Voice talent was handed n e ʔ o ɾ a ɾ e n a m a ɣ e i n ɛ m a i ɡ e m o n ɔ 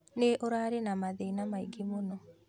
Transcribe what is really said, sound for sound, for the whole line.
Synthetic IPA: n e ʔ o ɾ a ɾ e n a m a ð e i n a m a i ɡ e m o n ɔ